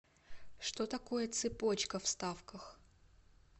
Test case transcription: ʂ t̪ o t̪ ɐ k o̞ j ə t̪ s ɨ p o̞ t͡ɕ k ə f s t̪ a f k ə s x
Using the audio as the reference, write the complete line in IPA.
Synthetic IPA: ʂ t̪ o t̪ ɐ k o̞ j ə t̪ s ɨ p o̞ t͡ɕ k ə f s t̪ a f k ə x